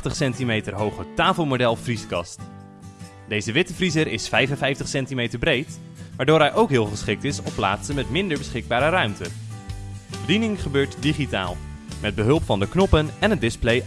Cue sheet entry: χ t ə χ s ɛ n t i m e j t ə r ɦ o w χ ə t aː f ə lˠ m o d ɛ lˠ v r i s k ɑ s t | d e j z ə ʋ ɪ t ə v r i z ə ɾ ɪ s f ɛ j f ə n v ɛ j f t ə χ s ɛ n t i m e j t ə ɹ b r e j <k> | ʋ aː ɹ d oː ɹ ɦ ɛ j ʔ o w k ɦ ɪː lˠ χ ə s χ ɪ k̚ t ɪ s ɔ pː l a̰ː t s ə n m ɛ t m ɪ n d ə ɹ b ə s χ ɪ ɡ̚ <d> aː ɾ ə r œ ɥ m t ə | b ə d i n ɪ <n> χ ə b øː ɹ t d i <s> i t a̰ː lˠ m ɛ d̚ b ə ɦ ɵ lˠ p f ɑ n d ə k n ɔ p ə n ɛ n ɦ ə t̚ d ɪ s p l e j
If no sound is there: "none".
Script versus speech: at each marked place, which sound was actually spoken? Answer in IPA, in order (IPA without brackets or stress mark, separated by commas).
t, b, ŋ, χ